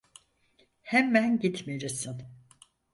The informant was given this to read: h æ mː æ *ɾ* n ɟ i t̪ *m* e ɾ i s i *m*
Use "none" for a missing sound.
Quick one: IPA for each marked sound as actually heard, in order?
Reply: none, m, n

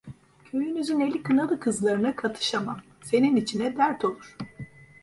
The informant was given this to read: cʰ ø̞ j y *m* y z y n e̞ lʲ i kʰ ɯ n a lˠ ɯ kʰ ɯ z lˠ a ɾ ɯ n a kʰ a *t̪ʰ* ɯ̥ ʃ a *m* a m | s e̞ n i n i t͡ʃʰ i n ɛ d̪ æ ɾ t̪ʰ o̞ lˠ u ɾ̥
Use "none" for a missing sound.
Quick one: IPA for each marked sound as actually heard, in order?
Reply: n, t̪ʰ, m

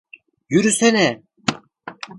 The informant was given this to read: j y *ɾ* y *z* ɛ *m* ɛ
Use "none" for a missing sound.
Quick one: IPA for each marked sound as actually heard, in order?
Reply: ɾ, s, n

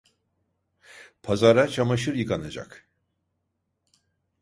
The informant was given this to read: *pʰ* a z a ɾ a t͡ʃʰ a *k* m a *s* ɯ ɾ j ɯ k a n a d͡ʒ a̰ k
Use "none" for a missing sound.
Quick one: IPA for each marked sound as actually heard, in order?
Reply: pʰ, none, ʃ

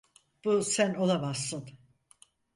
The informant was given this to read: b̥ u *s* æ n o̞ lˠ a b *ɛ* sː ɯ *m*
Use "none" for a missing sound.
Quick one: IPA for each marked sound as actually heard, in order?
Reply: s, a, n

